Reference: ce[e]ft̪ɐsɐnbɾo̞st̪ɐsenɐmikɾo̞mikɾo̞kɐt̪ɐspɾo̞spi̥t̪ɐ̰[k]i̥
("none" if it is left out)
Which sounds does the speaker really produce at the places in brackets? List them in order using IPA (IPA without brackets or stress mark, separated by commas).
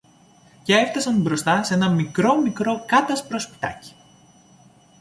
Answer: e, c